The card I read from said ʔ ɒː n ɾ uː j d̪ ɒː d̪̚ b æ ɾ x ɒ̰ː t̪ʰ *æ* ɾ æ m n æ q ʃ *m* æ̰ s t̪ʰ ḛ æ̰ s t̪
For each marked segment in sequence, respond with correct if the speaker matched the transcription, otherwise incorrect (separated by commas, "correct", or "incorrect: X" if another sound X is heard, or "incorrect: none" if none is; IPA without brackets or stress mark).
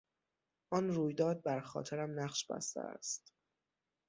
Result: incorrect: e, incorrect: b